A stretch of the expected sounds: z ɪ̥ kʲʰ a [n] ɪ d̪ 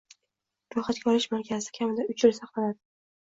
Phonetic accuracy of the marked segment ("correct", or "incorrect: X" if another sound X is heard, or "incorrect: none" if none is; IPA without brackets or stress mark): incorrect: m